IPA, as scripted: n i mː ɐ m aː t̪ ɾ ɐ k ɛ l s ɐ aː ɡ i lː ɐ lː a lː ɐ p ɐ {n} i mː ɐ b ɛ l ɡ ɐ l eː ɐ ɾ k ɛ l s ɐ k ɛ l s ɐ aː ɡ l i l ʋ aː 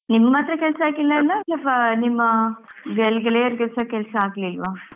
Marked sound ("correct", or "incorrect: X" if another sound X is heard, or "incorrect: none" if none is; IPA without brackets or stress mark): correct